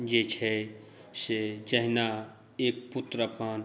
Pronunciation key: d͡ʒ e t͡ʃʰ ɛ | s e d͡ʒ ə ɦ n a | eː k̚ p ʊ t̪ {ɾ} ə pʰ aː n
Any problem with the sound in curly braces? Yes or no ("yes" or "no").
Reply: no